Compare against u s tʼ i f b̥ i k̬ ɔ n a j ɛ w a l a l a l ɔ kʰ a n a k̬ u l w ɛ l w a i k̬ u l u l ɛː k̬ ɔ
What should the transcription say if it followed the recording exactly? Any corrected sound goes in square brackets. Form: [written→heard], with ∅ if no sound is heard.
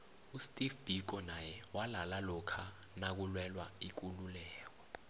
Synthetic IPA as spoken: u s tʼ i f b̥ i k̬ ɔ n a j ɛ w a l a l a l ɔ kʰ a n a k̬ u l w ɛ l w a i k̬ u l u l ɛː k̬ ɔ